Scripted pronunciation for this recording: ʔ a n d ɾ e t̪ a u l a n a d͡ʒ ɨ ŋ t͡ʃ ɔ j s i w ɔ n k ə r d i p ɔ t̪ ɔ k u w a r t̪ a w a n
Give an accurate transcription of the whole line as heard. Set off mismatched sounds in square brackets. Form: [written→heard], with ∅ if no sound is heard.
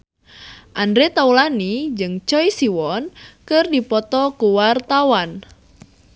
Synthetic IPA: ʔ a n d ɾ e t̪ a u l a n [a→i] d͡ʒ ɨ ŋ t͡ʃ ɔ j s i w ɔ n k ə r d i p ɔ t̪ ɔ k u w a r t̪ a w a n